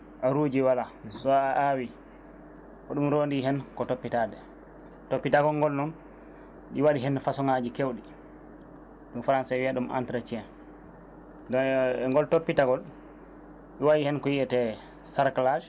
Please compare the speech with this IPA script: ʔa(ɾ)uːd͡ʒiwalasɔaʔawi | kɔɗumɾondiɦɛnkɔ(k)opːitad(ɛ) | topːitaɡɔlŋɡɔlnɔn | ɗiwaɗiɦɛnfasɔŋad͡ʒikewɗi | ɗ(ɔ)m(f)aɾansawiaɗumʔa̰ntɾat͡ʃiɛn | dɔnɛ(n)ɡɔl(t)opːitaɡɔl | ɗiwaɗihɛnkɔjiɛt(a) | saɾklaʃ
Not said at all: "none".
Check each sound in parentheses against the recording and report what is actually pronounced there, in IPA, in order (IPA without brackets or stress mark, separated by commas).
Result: ɾ, t, ɛ, u, f, ŋ, t, ɛ